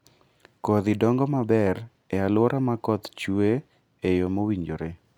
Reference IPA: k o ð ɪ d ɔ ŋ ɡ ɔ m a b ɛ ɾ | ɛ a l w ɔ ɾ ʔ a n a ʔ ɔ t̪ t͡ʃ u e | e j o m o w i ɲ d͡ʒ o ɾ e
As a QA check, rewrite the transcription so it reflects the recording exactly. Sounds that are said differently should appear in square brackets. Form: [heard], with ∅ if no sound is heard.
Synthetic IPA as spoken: k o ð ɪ d ɔ ŋ ɡ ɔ m a b ɛ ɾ | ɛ a l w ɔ ɾ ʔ a [m] a [k] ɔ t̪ t͡ʃ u e | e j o m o w i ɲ d͡ʒ o ɾ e